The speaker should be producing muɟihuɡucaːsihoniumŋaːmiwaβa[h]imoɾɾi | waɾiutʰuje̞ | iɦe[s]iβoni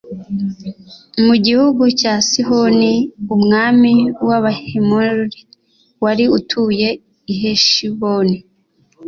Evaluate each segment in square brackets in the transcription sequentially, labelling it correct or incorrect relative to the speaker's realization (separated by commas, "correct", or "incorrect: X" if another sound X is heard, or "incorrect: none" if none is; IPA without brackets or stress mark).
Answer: correct, incorrect: ʃ